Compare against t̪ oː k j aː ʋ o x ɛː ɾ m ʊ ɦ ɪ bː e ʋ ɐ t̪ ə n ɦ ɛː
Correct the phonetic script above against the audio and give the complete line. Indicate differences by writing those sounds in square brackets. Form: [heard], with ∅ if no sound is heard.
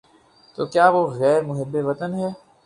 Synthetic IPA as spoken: t̪ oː k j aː ʋ o [ɣ] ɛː ɾ m ʊ ɦ ɪ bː e ʋ ɐ t̪ ə n ɦ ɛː